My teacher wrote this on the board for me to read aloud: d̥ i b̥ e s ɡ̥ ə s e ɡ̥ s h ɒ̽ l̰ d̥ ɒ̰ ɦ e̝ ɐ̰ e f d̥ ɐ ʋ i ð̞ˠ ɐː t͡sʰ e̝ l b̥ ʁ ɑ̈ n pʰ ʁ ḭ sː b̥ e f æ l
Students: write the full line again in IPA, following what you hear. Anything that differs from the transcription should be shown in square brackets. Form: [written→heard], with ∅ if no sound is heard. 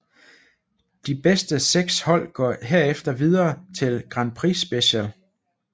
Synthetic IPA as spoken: d̥ i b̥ e s [ɡ̥→d̥] ə s e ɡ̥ s h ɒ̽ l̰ [d̥→ɡ̥] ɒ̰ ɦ e̝ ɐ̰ e f d̥ ɐ ʋ i ð̞ˠ ɐː t͡sʰ e̝ l [b̥→ɡ̥] ʁ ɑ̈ n pʰ ʁ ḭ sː b̥ e [f→ɕ] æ l